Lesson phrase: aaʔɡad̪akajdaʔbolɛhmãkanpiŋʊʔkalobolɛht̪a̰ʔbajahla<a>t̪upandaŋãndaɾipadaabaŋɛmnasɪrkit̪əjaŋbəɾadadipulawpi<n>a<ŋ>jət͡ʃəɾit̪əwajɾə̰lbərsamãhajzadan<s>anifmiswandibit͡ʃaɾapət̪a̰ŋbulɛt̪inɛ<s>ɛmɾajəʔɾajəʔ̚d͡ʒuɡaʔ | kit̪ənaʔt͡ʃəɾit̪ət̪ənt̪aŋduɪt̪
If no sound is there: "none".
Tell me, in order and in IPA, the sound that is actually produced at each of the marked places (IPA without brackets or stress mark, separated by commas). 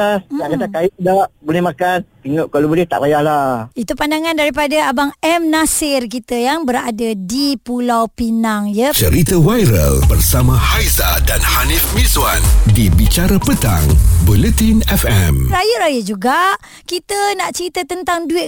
i, n, ŋ, h, f